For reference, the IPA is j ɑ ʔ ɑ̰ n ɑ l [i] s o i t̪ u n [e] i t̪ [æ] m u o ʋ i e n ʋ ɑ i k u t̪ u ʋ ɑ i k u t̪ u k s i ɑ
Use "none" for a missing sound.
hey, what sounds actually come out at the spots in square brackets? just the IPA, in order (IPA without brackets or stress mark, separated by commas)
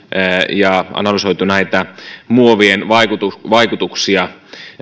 y, æ, æ